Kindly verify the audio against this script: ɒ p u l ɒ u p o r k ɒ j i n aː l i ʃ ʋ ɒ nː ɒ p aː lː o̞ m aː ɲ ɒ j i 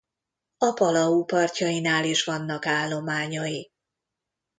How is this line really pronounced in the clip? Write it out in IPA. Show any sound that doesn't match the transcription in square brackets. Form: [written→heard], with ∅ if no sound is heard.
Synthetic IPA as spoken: ɒ p [u→ɒ] l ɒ u p [o→ɒ] r [k→c] ɒ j i n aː l i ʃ ʋ ɒ nː ɒ [p→k] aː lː o̞ m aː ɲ ɒ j i